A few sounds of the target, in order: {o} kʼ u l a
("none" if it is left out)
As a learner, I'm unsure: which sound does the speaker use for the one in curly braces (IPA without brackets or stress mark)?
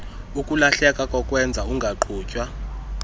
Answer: u